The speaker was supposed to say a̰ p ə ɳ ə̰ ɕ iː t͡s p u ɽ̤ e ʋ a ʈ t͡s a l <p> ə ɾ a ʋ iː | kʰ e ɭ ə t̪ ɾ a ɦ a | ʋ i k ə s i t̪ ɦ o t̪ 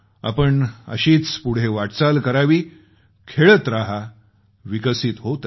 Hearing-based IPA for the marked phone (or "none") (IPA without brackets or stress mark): k